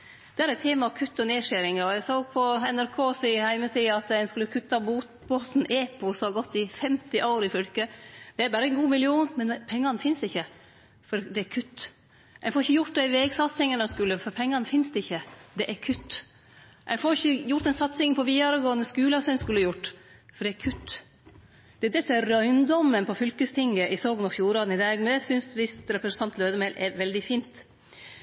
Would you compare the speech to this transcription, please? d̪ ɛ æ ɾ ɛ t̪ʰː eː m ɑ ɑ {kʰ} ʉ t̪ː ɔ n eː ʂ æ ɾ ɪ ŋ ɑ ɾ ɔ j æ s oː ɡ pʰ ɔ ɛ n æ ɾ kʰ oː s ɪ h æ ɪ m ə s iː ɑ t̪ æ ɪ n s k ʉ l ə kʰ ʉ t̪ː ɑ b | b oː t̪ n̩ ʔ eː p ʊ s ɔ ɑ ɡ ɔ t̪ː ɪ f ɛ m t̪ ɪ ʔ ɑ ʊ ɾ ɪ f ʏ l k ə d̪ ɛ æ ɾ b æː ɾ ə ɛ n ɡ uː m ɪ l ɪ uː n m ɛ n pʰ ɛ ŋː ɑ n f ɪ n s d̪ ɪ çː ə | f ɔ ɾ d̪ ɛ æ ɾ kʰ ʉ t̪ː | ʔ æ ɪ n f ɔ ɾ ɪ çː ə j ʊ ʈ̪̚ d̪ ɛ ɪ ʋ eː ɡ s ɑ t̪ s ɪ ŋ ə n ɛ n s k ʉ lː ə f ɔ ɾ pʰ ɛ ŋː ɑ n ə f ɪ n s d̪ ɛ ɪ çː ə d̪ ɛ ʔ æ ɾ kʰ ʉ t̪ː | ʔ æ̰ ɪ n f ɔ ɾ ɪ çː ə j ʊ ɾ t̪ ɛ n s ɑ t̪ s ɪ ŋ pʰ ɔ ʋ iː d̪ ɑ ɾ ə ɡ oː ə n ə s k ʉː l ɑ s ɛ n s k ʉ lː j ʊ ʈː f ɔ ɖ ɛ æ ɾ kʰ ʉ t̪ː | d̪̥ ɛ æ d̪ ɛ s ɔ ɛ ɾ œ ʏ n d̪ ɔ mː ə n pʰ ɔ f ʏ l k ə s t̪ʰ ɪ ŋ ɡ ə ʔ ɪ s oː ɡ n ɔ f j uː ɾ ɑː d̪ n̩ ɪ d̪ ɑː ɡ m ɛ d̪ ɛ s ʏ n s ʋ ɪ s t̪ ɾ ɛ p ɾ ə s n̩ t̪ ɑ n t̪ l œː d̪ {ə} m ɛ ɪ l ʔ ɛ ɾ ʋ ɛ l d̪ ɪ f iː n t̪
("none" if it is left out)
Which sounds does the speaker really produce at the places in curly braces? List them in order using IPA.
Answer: kʰ, ə

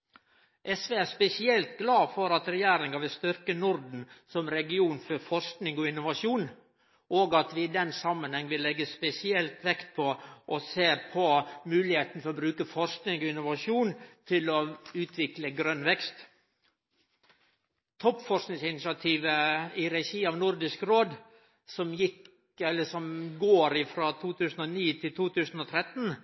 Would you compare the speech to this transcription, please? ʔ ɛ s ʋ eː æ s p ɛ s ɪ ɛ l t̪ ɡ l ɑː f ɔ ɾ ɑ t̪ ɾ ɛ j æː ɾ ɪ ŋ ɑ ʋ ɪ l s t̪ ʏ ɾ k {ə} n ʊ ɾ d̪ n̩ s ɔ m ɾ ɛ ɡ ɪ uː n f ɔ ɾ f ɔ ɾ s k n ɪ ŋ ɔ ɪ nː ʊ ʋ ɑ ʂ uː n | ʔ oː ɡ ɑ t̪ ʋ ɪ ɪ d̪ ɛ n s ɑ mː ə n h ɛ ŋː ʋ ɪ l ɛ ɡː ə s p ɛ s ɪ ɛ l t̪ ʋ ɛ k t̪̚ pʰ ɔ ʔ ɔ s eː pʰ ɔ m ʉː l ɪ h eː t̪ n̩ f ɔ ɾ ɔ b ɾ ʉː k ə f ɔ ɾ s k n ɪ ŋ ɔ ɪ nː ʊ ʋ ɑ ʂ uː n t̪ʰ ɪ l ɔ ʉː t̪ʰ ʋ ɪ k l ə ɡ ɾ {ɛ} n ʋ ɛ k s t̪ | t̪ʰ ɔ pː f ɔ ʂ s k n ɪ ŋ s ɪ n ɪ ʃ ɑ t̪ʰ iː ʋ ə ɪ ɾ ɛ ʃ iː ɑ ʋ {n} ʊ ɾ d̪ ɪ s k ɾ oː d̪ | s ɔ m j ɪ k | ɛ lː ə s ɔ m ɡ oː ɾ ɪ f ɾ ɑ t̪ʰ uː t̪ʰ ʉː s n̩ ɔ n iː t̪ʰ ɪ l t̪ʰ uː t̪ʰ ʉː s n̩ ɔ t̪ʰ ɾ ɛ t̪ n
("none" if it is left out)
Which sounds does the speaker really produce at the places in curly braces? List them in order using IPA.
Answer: ə, œ, n

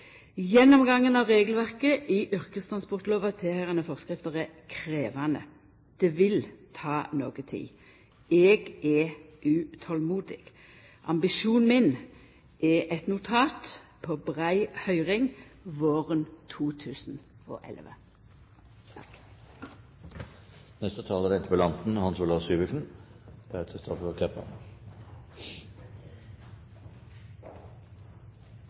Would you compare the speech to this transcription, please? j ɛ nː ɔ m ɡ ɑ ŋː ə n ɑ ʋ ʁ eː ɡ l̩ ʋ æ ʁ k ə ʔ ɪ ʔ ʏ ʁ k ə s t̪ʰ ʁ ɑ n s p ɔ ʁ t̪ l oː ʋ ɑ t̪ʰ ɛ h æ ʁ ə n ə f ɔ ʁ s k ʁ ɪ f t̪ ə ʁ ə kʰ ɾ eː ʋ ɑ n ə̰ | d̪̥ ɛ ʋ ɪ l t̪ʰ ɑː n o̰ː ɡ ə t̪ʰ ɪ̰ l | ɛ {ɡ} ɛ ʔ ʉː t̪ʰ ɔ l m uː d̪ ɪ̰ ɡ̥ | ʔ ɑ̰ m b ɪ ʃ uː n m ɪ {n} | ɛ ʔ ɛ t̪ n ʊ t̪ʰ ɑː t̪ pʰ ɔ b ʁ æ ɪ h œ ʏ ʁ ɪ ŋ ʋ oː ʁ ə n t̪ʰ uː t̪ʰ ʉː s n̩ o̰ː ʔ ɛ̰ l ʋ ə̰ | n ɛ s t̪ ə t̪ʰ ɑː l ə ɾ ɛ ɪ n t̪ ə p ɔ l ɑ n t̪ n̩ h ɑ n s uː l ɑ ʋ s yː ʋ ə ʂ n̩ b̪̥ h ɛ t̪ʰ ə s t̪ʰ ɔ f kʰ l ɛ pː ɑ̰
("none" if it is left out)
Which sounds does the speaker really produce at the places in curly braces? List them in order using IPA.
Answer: ɡ, n

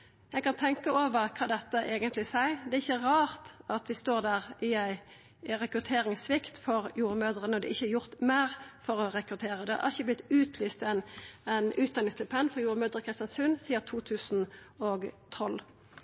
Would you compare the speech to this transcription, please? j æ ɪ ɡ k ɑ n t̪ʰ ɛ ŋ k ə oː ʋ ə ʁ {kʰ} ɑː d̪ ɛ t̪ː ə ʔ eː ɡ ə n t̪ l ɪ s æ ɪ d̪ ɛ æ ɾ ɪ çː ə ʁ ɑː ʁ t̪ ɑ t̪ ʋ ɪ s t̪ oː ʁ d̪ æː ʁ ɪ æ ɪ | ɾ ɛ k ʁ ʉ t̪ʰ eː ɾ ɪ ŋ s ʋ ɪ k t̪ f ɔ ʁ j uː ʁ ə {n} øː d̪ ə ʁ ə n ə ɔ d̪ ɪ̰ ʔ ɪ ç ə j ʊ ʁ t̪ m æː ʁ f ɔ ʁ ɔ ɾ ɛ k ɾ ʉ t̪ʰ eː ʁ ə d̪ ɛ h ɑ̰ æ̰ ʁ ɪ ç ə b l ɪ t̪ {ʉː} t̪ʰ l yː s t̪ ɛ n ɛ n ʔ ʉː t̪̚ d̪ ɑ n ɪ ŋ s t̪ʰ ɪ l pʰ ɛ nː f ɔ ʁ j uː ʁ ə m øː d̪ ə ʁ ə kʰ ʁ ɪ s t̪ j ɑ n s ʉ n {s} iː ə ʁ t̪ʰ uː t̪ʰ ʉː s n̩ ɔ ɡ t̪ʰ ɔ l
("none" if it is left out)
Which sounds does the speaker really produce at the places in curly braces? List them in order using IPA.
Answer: kʰ, m, ʉː, s

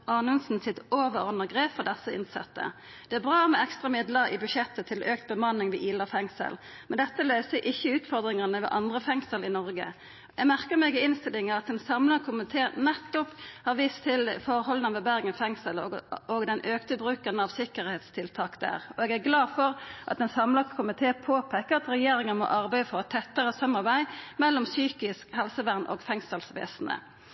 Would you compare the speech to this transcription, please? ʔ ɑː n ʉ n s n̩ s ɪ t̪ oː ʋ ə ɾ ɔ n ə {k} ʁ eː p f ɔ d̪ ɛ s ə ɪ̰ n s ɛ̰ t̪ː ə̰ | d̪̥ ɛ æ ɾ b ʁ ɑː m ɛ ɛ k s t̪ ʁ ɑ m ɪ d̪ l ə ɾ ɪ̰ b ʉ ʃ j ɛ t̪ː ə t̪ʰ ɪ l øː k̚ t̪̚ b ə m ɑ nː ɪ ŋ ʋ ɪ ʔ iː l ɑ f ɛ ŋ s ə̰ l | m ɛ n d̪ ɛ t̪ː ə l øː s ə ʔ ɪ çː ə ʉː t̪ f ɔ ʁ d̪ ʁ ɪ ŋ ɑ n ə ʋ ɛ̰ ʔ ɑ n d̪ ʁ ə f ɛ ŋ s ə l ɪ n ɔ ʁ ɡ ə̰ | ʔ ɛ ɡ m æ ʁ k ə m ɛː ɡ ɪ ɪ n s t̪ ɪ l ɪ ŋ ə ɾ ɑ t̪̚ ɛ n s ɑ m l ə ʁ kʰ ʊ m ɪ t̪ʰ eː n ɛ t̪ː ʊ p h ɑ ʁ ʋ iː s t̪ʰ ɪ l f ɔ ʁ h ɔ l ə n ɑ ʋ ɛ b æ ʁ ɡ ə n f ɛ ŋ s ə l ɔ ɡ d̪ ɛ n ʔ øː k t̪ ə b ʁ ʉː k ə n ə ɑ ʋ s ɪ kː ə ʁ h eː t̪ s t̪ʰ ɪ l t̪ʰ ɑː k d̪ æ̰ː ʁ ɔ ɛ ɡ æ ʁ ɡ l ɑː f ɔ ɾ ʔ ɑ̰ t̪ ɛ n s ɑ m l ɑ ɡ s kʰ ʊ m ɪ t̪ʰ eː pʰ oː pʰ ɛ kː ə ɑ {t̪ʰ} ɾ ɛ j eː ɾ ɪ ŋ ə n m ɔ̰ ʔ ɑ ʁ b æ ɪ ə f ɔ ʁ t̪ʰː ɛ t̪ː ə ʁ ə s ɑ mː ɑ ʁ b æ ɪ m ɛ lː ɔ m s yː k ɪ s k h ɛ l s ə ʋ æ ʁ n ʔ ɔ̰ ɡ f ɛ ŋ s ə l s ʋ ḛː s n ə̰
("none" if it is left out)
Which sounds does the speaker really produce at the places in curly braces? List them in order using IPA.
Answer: ɡ, t̪

